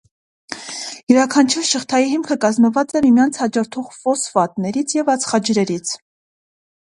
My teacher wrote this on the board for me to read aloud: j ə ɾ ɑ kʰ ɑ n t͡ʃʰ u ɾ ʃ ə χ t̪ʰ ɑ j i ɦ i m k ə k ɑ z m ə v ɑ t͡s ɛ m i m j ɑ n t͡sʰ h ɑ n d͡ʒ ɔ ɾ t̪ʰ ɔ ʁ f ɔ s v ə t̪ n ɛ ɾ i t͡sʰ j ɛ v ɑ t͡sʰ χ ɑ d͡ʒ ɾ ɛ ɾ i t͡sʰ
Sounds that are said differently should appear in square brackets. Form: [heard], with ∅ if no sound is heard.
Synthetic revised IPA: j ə ɾ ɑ kʰ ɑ n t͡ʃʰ u ɾ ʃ ə χ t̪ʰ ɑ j i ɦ i m [kʰ] ə k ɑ z m ə v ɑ t͡s ɛ m i m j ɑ n t͡sʰ h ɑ [∅] d͡ʒ ɔ ɾ t̪ʰ ɔ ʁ f ɔ s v [ɑ] t̪ n ɛ ɾ i t͡sʰ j ɛ v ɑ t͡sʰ χ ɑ d͡ʒ ɾ ɛ ɾ i t͡sʰ